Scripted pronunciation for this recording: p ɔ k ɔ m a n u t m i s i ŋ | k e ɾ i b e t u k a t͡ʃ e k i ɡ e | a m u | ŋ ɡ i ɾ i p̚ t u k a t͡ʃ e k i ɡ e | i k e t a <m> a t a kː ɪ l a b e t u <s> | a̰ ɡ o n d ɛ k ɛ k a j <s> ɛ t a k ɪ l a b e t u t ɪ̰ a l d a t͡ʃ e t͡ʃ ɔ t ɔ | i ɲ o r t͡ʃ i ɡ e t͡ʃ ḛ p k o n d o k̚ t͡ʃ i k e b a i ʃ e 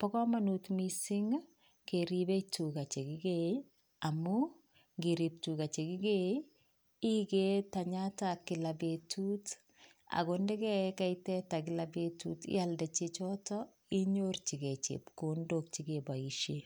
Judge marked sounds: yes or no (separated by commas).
no, no, no